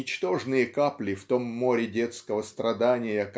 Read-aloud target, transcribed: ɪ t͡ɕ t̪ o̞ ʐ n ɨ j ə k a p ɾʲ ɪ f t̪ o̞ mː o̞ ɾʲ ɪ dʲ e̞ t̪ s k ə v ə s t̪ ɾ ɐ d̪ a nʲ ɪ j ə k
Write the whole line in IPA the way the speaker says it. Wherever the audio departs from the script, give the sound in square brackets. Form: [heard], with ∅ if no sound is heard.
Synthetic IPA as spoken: ɪ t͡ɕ t̪ o̞ ʐ n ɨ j ə k a p [lʲ] ɪ f t̪ o̞ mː o̞ ɾʲ ɪ dʲ e̞ t̪ s k ə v ə s t̪ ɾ ɐ d̪ a nʲ ɪ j ə k